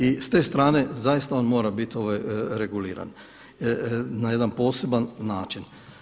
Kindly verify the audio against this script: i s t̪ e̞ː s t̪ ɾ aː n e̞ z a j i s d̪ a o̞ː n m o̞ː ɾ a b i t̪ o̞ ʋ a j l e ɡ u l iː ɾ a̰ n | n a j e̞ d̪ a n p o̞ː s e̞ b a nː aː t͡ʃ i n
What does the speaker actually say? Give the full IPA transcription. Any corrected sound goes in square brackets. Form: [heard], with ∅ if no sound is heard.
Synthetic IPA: i s t̪ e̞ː s t̪ ɾ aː n e̞ z a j i s [t̪] a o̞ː n m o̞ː ɾ a b i t̪ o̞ ʋ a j [ɾ] e ɡ u l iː ɾ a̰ n | n a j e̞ d̪ a n p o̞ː s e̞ b a nː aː t͡ʃ i n